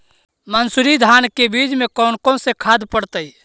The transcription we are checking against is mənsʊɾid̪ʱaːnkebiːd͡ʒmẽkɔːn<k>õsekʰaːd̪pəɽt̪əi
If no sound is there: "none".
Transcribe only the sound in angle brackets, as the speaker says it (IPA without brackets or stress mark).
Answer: k